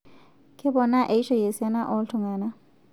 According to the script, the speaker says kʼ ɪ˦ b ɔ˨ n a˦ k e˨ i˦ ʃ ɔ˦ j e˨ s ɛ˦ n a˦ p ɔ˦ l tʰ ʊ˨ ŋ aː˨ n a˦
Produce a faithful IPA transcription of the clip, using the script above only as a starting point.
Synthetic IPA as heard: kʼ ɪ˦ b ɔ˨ n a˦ ʔ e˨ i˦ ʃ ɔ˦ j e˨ s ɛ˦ n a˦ ʔ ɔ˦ l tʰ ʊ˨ ŋ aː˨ n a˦